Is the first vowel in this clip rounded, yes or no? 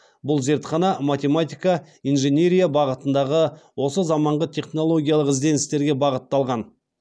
yes